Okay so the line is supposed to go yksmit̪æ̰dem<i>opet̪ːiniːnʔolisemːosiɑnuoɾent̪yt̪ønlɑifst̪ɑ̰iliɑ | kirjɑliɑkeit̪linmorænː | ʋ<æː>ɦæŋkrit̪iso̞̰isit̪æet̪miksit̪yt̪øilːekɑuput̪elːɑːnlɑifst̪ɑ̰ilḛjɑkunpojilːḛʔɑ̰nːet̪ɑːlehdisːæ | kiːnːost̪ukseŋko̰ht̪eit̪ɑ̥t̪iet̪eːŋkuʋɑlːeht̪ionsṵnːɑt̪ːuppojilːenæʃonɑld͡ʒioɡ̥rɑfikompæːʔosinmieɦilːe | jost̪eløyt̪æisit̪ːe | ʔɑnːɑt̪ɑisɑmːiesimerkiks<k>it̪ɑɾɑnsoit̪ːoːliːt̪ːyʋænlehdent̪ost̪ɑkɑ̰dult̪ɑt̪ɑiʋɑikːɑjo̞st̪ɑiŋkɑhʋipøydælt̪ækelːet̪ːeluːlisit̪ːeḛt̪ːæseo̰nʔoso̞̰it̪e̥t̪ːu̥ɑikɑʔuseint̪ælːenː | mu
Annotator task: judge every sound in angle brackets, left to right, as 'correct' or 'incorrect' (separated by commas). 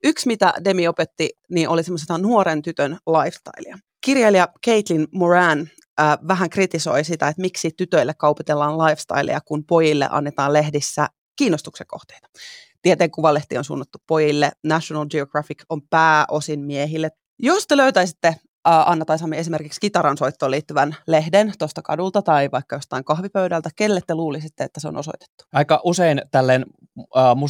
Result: correct, incorrect, correct